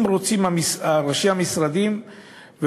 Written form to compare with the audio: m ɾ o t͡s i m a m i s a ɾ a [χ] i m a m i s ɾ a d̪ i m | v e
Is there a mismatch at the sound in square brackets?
yes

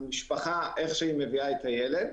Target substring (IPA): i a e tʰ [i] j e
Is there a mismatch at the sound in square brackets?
yes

